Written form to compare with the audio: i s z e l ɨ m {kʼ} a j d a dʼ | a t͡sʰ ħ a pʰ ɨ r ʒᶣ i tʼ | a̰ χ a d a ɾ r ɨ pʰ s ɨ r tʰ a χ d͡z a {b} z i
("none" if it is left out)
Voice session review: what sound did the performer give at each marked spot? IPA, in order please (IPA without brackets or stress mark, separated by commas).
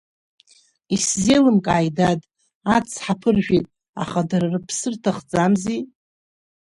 kʼ, m